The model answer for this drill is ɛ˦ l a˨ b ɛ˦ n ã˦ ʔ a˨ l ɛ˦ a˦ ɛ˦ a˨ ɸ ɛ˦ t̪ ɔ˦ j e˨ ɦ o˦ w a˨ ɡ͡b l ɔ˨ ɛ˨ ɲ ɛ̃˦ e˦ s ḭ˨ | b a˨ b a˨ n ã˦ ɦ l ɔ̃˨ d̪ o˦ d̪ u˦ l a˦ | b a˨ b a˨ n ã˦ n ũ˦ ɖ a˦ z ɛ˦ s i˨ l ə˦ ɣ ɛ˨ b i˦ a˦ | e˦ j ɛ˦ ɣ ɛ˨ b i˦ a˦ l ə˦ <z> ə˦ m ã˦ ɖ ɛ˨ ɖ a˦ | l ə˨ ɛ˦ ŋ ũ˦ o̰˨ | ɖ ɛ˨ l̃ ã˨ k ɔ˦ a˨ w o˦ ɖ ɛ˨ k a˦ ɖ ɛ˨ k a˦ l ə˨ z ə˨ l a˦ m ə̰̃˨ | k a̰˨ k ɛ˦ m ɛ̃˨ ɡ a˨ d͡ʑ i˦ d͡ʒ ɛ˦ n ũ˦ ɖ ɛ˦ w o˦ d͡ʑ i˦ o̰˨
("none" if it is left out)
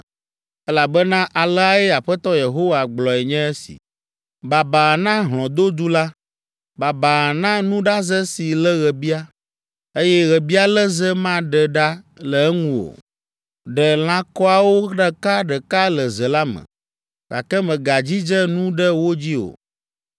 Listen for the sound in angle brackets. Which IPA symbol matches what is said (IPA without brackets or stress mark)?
z